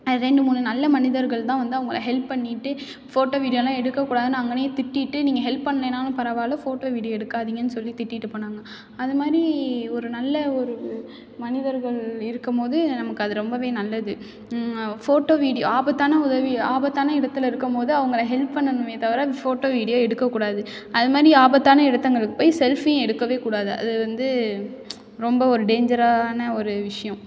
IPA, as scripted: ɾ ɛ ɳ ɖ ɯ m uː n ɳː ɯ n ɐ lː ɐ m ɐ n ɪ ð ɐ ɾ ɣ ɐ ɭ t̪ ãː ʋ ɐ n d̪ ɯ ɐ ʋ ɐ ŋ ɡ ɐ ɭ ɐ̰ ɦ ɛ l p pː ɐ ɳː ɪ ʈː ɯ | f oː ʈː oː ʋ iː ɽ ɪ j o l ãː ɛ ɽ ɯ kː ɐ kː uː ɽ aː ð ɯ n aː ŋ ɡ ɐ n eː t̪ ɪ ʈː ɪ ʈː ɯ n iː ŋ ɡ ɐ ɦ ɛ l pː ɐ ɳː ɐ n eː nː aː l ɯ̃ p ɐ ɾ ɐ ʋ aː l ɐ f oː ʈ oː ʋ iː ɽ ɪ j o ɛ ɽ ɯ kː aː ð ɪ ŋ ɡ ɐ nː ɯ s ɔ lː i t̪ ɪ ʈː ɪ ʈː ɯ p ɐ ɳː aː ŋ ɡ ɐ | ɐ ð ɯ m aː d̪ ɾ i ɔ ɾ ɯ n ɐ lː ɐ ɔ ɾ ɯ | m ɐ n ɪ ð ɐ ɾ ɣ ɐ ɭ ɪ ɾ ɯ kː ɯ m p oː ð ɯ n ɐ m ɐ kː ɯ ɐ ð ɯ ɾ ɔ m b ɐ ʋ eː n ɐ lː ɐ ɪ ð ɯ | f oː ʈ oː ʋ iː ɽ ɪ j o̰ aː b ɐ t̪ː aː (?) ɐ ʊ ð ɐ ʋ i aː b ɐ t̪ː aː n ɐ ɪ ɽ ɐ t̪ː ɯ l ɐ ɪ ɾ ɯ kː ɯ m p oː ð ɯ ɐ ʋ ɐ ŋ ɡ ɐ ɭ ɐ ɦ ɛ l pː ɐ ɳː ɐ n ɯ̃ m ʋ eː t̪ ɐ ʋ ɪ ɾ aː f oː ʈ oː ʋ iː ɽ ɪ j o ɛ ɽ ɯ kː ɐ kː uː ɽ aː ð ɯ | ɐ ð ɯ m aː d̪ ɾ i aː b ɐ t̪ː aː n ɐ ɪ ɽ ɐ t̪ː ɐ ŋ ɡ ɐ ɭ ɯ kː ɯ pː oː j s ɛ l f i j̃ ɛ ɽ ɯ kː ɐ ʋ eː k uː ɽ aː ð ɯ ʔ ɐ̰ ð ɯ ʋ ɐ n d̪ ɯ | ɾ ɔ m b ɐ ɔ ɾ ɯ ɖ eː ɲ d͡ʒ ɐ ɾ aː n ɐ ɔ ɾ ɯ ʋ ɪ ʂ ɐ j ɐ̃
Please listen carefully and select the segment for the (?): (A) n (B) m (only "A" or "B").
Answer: A